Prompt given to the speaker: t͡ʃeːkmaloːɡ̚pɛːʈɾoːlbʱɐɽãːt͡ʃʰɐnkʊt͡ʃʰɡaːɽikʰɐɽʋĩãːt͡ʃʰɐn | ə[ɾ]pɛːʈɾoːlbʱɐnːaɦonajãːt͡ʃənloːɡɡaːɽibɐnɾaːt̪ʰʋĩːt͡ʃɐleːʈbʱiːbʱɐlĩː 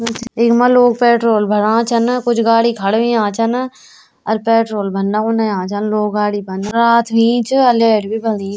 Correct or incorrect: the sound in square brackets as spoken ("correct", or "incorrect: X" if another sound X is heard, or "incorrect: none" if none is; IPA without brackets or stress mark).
correct